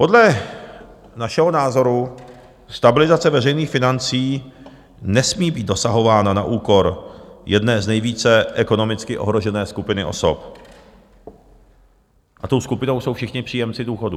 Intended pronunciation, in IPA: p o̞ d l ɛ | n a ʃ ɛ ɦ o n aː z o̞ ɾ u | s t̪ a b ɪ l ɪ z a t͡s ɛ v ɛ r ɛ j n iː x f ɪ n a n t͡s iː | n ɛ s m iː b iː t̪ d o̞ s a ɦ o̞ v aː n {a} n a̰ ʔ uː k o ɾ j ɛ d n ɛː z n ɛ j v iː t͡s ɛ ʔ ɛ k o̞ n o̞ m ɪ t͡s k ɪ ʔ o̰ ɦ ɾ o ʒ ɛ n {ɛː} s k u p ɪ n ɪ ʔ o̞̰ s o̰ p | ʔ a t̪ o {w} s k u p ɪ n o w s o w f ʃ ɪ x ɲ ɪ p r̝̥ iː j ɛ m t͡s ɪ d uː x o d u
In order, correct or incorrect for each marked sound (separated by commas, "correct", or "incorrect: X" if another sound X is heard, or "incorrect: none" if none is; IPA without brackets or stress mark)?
correct, correct, correct